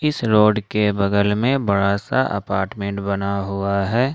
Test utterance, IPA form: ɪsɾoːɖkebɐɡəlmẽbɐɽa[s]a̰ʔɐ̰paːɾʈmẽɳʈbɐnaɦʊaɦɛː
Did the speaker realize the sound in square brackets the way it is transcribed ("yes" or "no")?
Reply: yes